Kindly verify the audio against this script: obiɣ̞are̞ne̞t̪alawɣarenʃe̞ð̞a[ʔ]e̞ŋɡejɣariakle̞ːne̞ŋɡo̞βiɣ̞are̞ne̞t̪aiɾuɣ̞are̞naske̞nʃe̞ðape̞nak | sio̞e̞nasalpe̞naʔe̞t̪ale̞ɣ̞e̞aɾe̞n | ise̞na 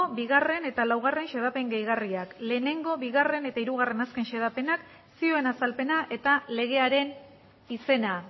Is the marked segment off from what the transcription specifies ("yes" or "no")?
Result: yes